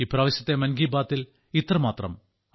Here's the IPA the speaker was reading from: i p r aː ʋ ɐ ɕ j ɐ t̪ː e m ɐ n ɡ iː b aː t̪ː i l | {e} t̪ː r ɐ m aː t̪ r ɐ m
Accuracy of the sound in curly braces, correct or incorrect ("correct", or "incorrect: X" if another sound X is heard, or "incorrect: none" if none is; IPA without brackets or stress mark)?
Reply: incorrect: i